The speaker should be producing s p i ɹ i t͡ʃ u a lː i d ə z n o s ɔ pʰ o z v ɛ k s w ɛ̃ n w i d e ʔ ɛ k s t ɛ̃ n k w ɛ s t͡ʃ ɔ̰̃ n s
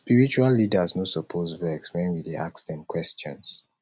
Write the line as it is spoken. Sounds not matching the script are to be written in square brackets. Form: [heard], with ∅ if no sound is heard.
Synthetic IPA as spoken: s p i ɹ i t͡ʃ u a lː i d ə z n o s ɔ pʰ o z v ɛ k s w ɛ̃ n w i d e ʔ [a] k s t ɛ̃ n k w ɛ s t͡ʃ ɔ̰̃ n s